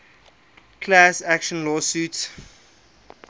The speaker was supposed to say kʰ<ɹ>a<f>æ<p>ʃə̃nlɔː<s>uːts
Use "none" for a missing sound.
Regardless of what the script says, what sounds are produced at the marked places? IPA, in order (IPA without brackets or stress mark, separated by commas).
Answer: l, s, k, s